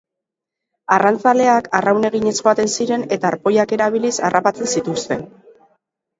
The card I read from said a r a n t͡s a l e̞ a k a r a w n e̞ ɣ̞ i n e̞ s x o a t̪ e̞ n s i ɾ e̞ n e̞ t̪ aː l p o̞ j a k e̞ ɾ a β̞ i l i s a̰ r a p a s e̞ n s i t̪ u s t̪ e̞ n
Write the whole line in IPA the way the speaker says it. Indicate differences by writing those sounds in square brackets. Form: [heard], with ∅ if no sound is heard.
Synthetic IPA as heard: a r a n t͡s a l e̞ a k a r a w n e̞ ɣ̞ i [ɲ] e̞ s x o a t̪ e̞ n s i ɾ e̞ n e̞ t̪ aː [ɾ] p o̞ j a k e̞ ɾ a β̞ i l i s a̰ r a p a [t͡s] e̞ n s i t̪ u s t̪ e̞ n